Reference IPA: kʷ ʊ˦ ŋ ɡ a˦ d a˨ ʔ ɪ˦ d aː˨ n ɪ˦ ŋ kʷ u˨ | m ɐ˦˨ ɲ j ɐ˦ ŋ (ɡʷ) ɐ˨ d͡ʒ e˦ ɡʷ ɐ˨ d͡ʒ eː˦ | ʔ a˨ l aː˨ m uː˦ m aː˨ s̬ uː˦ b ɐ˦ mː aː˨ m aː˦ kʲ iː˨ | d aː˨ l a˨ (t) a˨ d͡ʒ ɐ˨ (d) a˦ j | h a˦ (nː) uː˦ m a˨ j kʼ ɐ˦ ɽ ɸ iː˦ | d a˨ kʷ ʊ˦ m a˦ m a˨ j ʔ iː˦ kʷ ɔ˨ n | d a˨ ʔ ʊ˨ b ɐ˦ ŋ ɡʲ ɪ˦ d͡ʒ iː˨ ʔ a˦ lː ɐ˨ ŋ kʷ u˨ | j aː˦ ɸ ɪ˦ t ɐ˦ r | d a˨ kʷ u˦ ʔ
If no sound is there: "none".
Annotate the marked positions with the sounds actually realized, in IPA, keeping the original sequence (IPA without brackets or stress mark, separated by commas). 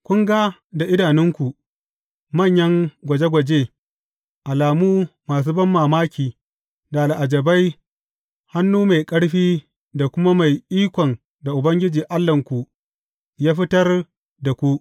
ɡʷ, ʔ, b, nː